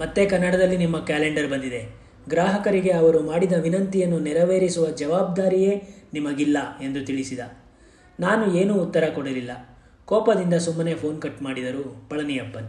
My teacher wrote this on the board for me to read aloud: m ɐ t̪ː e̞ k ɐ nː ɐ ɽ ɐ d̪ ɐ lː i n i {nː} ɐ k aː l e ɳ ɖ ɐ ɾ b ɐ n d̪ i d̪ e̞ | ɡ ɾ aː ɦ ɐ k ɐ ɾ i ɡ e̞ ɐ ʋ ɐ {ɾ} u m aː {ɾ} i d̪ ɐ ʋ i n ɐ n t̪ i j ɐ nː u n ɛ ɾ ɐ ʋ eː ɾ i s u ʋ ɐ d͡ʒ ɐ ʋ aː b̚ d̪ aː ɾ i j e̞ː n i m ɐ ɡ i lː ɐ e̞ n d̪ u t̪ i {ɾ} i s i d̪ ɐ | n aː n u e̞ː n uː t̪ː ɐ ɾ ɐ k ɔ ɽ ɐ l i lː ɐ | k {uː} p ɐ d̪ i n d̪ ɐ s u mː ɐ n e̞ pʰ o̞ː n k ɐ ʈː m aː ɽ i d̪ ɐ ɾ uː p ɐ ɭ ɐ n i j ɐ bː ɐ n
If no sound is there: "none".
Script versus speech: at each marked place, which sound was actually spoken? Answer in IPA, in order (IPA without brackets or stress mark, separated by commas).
mː, ɾ, ɽ, ɭ, ɔː